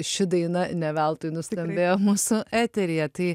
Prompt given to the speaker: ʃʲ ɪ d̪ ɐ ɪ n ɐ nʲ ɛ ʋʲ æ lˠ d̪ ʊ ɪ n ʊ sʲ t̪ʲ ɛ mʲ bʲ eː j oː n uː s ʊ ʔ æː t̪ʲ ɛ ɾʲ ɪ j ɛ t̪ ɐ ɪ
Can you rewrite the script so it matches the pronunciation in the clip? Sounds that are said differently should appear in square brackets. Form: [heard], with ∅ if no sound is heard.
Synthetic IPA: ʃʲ ɪ d̪ ɐ ɪ n ɐ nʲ ɛ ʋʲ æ lˠ [t̪] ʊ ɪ n ʊ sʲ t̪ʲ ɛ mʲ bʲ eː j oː [m] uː s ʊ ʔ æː t̪ʲ ɛ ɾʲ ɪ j ɛ t̪ ɐ ɪ